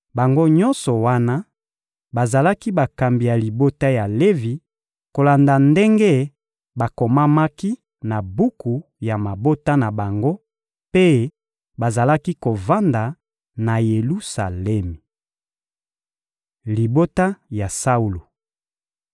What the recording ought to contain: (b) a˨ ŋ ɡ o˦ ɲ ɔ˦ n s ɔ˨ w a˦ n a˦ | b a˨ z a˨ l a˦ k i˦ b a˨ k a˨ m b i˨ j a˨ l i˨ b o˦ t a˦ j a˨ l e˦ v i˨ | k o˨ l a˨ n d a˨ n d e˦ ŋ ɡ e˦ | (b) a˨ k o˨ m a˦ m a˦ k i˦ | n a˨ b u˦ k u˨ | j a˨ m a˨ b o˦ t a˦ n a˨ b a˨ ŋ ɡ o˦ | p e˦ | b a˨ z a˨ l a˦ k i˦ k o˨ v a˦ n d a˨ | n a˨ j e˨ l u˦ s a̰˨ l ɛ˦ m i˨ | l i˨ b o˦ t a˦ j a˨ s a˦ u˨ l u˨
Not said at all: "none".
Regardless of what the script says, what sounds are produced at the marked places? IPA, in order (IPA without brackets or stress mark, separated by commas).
b, b